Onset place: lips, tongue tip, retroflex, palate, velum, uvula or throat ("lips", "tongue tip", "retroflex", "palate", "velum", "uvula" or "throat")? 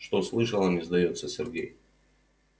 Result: retroflex